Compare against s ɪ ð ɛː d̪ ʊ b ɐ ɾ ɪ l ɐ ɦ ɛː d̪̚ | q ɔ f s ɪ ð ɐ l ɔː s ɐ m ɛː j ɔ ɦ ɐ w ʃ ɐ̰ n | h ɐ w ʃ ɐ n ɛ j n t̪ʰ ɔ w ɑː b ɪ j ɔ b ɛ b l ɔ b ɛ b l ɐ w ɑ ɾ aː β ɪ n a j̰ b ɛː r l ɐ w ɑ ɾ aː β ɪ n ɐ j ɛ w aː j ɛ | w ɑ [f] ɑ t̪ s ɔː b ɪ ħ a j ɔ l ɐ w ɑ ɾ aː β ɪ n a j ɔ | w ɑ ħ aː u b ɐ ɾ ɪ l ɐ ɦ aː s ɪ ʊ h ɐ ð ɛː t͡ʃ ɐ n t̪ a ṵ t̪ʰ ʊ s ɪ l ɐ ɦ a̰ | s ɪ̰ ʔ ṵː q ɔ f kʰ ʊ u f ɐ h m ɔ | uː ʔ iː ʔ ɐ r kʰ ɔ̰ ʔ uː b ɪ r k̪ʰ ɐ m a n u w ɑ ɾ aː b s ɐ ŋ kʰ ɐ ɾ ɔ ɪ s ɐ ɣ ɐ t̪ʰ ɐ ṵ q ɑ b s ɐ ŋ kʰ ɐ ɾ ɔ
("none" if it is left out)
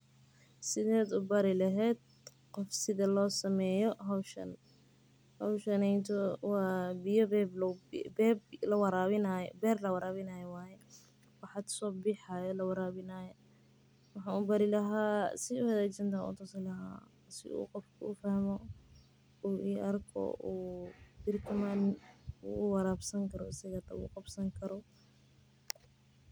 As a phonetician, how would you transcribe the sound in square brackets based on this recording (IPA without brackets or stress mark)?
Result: ħ